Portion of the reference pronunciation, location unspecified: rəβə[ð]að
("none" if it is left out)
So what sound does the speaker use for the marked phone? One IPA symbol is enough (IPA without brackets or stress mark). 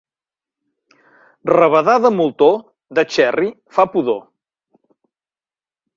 ð